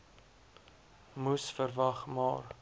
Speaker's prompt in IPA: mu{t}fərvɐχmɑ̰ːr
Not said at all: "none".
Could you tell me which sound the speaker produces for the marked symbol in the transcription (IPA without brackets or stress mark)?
s